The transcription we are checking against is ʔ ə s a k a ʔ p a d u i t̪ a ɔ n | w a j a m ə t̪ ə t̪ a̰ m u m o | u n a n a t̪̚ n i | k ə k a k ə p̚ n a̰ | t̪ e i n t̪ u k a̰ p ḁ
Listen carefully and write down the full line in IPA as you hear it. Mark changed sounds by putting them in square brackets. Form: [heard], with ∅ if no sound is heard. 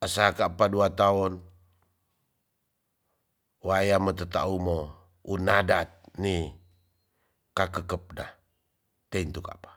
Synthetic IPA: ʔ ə s a k a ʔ p a d u [a] t̪ a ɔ n | w a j a m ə t̪ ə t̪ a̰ [∅] u m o | u n a [d] a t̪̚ n i | k [a] k [ə] k ə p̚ n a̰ | t̪ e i n t̪ u k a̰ p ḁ